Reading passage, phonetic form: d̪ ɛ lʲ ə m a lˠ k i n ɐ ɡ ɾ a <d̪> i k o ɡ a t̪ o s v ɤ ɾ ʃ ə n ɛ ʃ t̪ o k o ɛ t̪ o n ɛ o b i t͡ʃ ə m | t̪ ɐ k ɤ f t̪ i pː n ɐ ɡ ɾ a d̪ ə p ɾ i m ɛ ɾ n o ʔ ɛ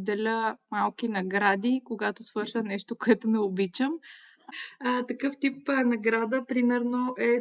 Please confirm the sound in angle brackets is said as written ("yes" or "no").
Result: yes